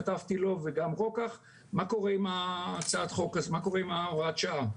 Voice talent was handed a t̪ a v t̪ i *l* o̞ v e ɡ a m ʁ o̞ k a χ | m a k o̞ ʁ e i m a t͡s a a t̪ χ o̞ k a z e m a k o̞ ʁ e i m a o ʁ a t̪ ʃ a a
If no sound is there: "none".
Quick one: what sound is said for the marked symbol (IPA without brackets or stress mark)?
l